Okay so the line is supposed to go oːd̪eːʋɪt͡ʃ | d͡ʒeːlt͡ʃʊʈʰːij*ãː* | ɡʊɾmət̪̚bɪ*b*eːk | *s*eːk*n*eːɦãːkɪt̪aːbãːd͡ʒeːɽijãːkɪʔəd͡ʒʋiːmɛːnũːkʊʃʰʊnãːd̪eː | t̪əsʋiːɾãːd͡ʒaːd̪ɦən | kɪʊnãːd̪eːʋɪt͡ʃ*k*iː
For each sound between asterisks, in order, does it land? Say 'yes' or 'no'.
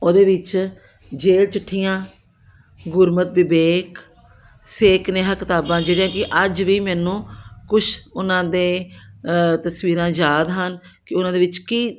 yes, yes, yes, yes, yes

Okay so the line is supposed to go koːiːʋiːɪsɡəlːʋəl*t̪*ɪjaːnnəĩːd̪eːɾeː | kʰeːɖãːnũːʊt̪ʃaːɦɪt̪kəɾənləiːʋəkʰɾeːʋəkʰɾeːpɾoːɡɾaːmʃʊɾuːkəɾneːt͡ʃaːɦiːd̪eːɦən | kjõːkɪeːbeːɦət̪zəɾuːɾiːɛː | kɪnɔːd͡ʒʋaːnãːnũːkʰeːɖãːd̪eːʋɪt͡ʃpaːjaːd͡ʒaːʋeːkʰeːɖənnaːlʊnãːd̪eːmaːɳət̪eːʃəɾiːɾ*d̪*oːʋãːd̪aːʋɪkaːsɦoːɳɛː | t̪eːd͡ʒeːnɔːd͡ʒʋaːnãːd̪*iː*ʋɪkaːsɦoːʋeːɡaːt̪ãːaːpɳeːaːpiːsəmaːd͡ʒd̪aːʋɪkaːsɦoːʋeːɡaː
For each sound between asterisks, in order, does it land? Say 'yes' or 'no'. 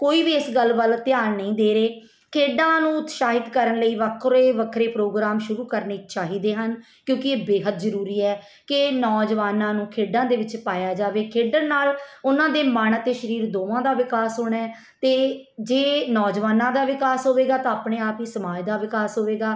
yes, yes, no

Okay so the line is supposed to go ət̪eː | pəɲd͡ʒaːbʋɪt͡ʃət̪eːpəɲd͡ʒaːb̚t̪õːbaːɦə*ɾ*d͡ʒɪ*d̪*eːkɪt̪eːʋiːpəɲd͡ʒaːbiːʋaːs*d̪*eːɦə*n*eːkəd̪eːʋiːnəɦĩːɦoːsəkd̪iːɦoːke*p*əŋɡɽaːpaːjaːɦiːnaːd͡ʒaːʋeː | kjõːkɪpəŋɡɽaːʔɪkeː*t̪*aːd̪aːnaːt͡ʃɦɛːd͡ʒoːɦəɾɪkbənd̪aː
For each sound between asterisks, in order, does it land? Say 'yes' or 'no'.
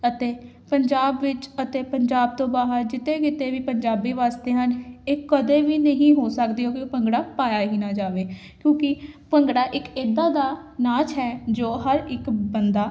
yes, no, no, yes, yes, no

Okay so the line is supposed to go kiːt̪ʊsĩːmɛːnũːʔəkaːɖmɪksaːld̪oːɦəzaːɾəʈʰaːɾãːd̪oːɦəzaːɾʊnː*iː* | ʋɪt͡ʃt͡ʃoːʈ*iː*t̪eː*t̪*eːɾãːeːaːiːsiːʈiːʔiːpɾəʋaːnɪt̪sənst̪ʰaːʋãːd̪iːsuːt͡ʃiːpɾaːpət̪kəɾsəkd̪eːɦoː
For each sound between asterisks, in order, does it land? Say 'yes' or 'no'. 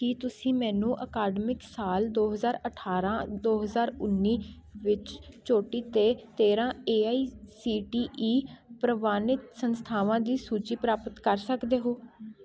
yes, yes, yes

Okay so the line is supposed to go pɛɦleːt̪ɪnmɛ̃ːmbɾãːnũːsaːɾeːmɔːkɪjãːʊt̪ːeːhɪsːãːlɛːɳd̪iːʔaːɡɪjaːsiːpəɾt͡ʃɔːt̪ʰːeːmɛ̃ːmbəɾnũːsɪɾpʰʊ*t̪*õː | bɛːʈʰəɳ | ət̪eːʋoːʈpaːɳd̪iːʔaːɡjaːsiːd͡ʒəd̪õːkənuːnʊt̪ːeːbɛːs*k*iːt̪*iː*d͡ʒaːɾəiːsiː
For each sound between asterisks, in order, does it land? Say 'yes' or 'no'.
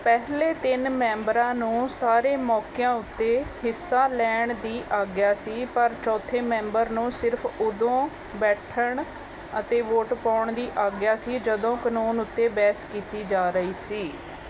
no, yes, yes

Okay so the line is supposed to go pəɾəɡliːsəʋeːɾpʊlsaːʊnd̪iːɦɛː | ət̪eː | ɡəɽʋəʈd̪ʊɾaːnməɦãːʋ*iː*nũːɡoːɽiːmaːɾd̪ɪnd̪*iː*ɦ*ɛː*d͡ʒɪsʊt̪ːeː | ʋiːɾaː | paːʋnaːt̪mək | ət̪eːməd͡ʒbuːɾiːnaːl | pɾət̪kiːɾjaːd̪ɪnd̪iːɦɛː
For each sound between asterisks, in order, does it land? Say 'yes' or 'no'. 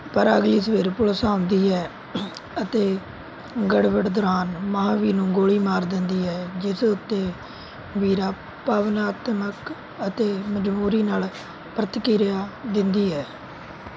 yes, yes, yes

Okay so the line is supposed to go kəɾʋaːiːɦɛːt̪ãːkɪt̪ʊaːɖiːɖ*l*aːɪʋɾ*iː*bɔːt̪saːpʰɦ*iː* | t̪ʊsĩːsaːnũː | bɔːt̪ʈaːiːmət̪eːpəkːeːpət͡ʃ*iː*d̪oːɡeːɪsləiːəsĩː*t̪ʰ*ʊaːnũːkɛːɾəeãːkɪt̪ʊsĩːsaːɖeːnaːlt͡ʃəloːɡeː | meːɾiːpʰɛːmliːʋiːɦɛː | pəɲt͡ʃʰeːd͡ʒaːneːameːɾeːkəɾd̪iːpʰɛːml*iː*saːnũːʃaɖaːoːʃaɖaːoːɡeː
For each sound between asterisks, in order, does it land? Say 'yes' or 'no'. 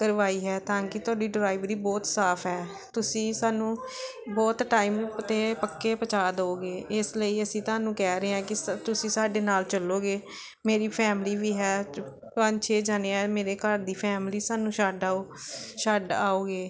no, yes, no, no, no, yes

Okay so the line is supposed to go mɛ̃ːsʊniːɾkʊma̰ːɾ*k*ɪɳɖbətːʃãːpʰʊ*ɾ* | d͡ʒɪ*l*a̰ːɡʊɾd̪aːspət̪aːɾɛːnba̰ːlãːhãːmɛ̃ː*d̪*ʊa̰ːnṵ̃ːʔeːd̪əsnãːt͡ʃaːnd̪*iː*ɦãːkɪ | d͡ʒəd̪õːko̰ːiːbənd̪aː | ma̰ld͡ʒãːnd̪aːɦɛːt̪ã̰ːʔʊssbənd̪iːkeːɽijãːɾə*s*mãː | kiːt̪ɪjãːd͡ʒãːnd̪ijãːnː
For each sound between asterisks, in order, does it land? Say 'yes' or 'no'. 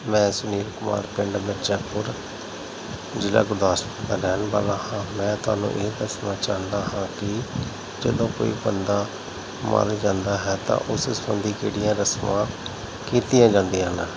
no, yes, yes, no, no, yes

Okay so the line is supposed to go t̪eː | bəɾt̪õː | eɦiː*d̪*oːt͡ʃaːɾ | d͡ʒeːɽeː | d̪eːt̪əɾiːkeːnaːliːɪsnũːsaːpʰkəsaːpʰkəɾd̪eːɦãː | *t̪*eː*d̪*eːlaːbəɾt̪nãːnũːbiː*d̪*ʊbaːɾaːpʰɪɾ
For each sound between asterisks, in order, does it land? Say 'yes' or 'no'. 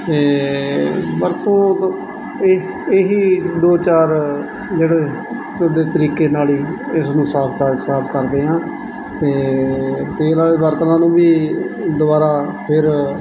yes, yes, no, yes

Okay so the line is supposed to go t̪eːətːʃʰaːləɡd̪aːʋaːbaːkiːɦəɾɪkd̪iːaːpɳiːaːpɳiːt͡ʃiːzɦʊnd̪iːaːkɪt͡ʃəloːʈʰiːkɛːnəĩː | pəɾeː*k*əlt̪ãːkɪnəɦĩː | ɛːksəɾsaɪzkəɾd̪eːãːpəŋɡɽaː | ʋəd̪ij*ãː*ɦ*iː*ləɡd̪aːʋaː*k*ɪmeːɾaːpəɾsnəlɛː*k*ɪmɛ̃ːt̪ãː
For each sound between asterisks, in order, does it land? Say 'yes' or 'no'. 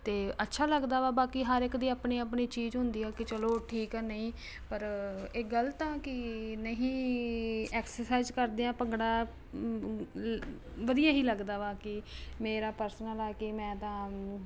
no, no, yes, yes, yes

